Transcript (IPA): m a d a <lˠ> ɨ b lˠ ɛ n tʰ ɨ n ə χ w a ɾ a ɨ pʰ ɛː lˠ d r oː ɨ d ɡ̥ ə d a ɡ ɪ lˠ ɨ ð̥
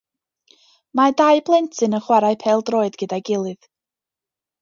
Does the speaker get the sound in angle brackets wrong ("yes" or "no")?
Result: yes